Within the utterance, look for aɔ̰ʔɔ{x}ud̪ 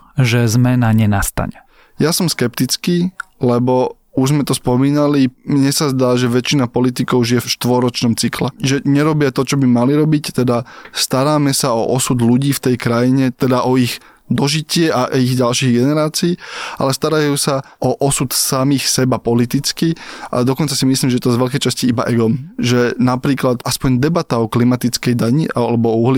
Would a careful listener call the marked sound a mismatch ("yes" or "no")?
yes